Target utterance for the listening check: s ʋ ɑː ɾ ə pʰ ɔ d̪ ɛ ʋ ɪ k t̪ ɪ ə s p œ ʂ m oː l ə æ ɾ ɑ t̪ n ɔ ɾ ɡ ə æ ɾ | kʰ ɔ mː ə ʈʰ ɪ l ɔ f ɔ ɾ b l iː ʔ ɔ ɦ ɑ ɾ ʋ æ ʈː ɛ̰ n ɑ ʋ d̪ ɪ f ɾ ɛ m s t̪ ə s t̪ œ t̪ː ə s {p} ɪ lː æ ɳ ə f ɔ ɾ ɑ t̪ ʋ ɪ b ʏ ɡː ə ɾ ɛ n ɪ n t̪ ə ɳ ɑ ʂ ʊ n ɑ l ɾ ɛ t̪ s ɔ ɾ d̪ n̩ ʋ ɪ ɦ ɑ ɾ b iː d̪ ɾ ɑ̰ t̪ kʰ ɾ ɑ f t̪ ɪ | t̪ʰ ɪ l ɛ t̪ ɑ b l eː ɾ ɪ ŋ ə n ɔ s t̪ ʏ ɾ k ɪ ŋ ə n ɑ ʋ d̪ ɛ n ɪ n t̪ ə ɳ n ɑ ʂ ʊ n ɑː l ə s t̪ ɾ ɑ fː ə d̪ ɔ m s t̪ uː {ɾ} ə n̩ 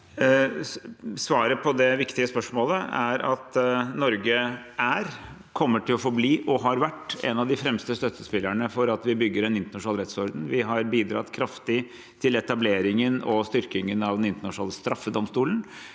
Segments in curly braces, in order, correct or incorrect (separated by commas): correct, incorrect